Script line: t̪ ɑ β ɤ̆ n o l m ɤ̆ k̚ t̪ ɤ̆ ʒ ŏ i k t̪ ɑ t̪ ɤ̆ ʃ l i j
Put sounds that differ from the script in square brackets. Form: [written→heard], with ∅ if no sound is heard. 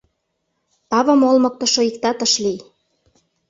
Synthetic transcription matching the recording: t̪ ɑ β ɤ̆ [n→m] o l m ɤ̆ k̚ t̪ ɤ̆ [ʒ→ʃ] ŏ i k t̪ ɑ t̪ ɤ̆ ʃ l i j